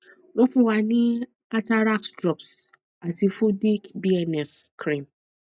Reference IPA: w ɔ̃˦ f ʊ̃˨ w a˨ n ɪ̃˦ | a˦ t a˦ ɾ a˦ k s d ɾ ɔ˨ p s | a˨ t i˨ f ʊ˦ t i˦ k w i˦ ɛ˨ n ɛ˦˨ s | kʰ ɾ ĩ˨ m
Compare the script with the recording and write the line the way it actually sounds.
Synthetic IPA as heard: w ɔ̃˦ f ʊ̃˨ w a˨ n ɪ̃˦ | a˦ t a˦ ɾ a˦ k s d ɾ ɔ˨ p s | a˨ t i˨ f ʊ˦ d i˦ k b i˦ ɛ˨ n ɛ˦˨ f | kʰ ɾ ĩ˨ m